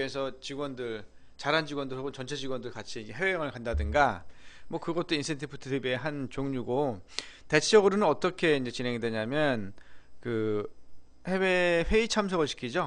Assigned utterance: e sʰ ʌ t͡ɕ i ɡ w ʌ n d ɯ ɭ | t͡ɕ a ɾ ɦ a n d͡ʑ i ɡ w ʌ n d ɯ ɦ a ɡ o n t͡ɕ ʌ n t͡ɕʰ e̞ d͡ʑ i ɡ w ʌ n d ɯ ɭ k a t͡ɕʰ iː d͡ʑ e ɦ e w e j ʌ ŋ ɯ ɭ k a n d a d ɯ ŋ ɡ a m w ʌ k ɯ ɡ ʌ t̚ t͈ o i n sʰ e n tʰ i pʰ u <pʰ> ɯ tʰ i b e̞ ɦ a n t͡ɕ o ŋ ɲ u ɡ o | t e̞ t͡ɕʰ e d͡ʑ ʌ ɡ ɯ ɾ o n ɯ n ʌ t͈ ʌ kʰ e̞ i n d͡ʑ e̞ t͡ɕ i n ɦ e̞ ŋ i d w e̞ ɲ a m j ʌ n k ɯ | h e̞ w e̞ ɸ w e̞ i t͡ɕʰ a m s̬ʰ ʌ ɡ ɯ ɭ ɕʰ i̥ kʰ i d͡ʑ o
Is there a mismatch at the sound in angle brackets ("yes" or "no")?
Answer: yes